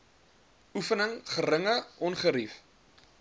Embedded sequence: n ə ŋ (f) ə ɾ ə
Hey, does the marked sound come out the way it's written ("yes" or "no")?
no